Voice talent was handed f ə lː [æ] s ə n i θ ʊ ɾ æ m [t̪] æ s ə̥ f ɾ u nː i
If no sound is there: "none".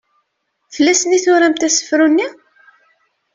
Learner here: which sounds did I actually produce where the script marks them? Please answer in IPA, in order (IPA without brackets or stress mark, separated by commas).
æ, t̪